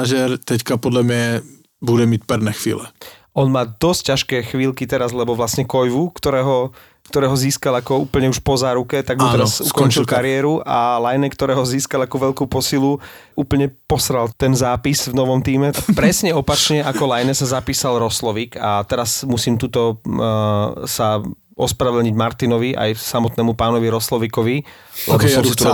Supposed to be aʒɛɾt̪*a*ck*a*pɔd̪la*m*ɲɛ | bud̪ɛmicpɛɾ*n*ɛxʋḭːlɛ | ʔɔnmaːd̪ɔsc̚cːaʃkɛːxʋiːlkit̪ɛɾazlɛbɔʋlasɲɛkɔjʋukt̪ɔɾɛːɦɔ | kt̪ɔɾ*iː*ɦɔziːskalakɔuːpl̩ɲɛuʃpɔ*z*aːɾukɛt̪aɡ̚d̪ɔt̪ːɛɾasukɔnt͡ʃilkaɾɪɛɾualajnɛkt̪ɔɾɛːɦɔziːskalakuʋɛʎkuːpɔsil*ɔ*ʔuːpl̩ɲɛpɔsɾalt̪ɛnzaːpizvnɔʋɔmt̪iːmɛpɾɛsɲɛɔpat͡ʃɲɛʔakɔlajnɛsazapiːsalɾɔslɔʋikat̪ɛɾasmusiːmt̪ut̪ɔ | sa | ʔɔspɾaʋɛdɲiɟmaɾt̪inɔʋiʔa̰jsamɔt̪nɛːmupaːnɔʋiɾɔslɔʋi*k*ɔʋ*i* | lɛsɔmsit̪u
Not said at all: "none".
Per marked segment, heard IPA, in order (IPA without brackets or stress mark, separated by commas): ɛ, a, m, n, ɛː, z, u, k, i